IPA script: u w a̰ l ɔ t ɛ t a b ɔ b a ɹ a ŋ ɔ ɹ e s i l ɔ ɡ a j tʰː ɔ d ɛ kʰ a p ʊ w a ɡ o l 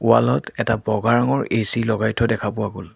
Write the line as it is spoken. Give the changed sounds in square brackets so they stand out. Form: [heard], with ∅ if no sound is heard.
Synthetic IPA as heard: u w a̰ l ɔ t ɛ t a b ɔ [ɡ] a ɹ a ŋ ɔ ɹ e s i l ɔ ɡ a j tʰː ɔ d ɛ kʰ a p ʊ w a ɡ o l